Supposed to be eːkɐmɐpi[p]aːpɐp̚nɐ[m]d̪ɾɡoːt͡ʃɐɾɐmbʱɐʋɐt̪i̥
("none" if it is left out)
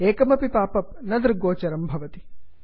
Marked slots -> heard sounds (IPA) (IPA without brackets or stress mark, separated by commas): p, none